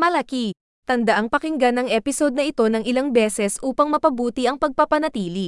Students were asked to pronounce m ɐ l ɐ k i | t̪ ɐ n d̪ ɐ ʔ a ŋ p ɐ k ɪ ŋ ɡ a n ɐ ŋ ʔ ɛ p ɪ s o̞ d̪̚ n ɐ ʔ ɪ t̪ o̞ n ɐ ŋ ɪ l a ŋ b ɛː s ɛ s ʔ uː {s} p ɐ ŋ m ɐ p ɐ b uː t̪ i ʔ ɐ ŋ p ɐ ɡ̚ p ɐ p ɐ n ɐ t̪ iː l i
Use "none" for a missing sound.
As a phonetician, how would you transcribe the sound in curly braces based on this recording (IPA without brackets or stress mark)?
none